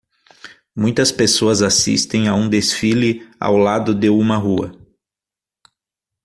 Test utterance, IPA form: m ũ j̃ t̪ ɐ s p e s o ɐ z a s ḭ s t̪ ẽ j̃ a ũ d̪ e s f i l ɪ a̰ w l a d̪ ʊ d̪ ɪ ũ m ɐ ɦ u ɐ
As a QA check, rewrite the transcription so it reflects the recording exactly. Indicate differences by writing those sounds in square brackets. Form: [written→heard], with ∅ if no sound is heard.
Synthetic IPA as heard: m ũ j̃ t̪ ɐ s p e s o ɐ z a s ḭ s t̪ ẽ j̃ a ũ d̪ e s f i l ɪ a̰ w l a d̪ ʊ d̪ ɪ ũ m ɐ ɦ u ɐ